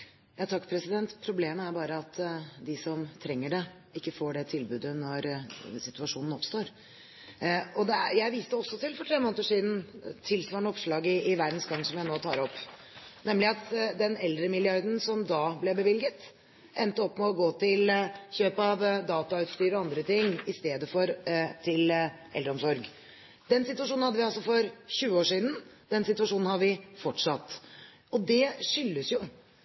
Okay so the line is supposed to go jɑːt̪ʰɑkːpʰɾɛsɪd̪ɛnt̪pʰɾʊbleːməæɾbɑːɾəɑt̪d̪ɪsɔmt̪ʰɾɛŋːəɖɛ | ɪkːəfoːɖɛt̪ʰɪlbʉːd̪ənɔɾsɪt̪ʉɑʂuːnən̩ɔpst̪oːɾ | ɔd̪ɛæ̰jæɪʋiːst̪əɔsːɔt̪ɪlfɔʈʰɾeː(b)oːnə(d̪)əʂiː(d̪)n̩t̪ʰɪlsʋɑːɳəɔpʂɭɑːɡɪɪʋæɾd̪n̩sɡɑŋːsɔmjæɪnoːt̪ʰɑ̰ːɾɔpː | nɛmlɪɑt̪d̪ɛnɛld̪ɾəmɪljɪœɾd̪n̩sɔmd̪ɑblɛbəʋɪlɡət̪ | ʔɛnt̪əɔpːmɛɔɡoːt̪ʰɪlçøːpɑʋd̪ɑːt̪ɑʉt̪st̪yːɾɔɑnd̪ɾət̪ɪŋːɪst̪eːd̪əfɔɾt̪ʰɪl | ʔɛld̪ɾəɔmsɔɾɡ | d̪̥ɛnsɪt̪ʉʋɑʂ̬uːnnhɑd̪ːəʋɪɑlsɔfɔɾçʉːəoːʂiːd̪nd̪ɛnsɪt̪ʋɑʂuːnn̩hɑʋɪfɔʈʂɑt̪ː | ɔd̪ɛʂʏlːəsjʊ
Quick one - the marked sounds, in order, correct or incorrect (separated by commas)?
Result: incorrect, incorrect, correct